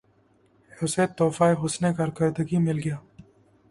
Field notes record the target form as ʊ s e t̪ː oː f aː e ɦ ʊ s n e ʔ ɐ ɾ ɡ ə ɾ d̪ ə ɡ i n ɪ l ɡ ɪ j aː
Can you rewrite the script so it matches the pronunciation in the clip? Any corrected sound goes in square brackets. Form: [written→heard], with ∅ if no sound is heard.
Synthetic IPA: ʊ s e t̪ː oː f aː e ɦ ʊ s n e [ʔ→k] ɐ ɾ [ɡ→k] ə ɾ d̪ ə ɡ i [n→m] ɪ l ɡ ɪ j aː